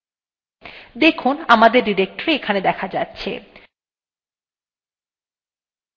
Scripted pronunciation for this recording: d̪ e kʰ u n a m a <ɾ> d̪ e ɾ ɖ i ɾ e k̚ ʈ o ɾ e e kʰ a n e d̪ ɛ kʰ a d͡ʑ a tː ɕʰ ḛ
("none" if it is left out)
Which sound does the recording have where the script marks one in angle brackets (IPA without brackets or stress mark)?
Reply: none